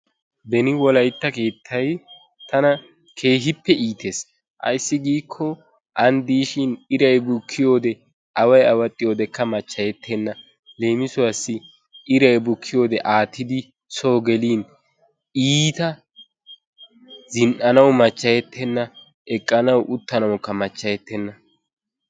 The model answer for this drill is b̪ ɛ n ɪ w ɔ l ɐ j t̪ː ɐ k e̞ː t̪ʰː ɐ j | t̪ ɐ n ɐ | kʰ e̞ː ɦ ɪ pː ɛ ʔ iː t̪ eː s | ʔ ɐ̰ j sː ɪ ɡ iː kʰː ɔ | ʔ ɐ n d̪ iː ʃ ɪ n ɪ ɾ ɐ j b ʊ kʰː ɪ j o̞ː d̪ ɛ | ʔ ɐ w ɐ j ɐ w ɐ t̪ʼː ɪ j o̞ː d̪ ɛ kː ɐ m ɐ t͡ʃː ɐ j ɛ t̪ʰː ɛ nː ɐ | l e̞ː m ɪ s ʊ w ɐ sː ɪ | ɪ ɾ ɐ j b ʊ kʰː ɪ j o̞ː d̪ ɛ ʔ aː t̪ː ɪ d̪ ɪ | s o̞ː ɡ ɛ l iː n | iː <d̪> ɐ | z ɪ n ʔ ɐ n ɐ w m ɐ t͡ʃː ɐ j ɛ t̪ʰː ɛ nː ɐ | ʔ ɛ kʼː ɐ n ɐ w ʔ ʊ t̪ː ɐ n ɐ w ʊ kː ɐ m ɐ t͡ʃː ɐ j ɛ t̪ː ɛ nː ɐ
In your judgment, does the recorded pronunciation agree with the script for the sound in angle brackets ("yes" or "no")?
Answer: no